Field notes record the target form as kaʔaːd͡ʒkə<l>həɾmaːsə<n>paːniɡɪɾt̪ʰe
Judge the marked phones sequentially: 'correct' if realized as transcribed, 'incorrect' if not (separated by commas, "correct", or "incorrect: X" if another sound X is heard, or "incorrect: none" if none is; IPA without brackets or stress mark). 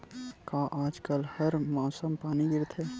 correct, incorrect: m